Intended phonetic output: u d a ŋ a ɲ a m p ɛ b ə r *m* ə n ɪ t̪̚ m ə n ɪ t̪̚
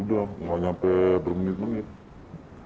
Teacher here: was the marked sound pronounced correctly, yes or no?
yes